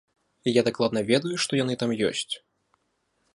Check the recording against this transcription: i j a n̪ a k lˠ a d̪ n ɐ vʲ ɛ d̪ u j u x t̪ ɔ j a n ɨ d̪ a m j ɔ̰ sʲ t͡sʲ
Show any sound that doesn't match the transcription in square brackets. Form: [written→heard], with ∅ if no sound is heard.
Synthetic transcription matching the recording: i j a [n̪→d̪] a k lˠ a d̪ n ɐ vʲ ɛ d̪ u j u [x→ʂ] t̪ ɔ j a n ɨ [d̪→t̪] a m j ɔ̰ sʲ t͡sʲ